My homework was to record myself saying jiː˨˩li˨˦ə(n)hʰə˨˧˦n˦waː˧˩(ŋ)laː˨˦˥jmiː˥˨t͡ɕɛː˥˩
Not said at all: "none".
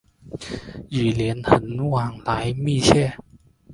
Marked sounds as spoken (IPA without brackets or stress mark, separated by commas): n, ŋ